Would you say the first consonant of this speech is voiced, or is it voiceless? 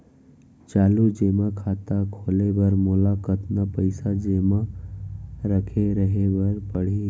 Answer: voiceless